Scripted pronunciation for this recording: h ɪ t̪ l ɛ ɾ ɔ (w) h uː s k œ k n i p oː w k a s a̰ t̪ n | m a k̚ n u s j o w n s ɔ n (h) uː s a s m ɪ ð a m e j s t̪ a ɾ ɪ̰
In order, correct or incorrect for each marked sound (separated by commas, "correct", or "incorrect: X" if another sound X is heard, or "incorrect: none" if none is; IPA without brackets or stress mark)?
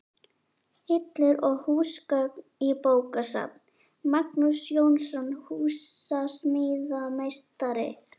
incorrect: ɣ, correct